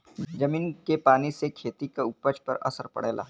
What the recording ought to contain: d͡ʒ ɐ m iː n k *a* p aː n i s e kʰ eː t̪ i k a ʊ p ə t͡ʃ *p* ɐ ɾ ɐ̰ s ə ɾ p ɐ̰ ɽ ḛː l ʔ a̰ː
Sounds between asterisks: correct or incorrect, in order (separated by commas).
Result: incorrect, correct